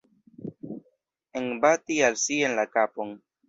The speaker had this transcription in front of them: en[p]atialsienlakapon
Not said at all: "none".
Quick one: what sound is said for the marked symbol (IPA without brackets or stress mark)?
b